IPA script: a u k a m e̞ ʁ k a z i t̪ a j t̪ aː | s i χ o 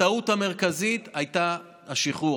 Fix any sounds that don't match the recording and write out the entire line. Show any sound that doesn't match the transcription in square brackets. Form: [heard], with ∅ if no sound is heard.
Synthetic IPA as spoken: a u [t] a m e̞ ʁ k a z i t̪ a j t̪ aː | [ʃ] i χ [u]